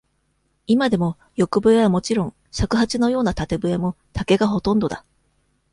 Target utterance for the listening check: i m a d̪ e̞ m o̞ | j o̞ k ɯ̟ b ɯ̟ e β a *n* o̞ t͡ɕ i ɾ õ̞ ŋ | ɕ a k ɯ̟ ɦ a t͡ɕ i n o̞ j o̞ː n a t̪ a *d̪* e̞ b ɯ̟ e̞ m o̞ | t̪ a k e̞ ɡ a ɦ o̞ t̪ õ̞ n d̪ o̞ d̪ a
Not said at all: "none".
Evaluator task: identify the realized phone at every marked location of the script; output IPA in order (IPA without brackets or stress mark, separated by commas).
m, t̪